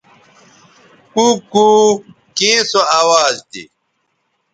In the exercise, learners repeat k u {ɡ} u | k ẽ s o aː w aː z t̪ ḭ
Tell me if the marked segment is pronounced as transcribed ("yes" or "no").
no